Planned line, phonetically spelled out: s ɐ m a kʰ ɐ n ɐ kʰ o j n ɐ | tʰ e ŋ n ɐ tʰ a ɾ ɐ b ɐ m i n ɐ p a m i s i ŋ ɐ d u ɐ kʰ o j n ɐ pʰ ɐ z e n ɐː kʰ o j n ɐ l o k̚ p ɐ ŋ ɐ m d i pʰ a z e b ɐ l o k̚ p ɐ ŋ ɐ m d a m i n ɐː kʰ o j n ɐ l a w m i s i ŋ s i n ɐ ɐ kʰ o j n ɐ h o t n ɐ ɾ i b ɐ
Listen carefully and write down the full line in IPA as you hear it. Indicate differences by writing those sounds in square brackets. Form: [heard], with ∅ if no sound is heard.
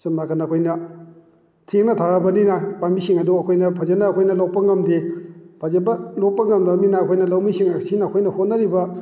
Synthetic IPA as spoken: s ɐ m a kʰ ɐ n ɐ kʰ o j n ɐ | tʰ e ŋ n ɐ tʰ a ɾ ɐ b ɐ [n] i n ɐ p a m i s i ŋ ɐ d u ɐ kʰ o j n ɐ pʰ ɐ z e n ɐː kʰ o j n ɐ l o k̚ p ɐ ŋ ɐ m d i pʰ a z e b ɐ l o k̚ p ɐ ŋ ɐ m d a m i n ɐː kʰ o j n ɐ l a w m i s i ŋ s i n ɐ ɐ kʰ o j n ɐ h o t n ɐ ɾ i b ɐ